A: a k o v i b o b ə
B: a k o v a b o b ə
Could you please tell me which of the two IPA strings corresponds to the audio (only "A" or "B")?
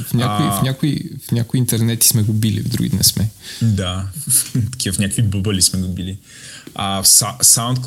A